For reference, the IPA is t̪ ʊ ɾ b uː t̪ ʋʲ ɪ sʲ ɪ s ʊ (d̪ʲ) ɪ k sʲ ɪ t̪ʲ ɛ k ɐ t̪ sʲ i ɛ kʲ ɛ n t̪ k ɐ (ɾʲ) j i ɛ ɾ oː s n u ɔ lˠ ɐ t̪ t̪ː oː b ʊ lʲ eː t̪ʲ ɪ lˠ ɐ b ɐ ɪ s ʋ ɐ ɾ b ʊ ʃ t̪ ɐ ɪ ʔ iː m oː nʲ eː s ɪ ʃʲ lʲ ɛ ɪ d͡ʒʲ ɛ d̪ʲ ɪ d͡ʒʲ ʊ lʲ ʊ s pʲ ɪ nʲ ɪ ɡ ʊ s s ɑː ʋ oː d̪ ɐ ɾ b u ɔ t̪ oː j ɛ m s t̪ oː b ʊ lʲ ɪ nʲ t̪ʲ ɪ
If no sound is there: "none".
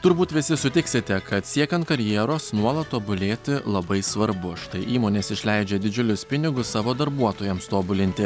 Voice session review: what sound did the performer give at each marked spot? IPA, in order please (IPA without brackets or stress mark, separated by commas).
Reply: t̪ʲ, ɾʲ